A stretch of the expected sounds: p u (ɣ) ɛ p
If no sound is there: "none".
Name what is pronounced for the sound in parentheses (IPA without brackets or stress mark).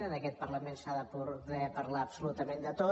ð